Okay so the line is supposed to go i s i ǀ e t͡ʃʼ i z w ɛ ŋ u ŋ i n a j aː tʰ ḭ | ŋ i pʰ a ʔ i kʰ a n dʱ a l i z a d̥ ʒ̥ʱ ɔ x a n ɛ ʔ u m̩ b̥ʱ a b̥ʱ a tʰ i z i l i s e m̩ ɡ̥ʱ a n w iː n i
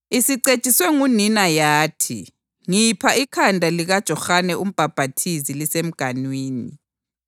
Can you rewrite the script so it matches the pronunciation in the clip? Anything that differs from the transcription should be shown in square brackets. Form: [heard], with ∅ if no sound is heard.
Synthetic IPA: i s i ǀ e t͡ʃʼ i [s] w ɛ ŋ u [n] i n a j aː tʰ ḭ | ŋ i pʰ a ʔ i kʰ a n dʱ a l i [ɣ] a d̥ ʒ̥ʱ ɔ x a n ɛ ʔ u m̩ b̥ʱ a b̥ʱ a tʰ i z i l i s e m̩ ɡ̥ʱ a n w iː n i